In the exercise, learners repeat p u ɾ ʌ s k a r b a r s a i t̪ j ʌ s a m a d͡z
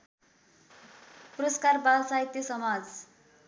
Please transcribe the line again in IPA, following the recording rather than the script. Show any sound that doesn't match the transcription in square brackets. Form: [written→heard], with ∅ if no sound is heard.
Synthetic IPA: p u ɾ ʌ s k a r b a [r→l] s a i t̪ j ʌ s [a→ʌ] m a d͡z